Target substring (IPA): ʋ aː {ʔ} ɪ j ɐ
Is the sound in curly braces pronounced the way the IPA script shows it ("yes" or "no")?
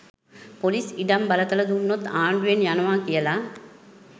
no